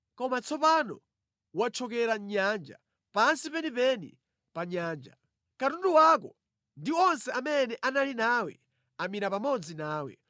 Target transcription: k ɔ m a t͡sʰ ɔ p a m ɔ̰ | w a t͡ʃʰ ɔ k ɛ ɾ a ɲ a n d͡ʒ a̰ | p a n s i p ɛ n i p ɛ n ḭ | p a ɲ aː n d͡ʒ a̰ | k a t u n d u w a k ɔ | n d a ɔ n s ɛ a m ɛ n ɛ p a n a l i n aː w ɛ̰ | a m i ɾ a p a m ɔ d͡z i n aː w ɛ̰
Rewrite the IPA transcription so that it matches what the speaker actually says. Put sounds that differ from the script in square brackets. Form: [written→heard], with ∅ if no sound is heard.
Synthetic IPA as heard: k ɔ m a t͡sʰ ɔ p a [m→n] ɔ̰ | w a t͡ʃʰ ɔ k ɛ ɾ a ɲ a n d͡ʒ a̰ | p a n s i p ɛ n i p ɛ n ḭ | p a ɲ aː n d͡ʒ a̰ | k a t u n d u w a k ɔ | n d [a→i] ɔ n s ɛ a m ɛ n ɛ [p→ʔ] a n a l i n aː w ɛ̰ | a m i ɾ a p a m ɔ d͡z i n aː w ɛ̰